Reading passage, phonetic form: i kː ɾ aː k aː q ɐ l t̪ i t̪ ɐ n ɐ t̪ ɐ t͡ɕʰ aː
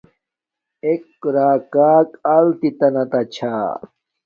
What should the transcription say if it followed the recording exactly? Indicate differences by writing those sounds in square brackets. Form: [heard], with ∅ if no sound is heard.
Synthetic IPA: [e] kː ɾ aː k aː [k] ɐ l t̪ i t̪ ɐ n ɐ t̪ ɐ t͡ɕʰ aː